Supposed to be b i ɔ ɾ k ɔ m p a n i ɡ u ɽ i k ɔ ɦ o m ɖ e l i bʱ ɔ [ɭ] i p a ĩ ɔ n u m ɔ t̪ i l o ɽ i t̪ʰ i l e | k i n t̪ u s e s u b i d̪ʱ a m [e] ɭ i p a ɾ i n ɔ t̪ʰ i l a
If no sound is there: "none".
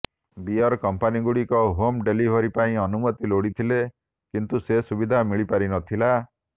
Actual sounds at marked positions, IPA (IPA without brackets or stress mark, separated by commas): ɾ, i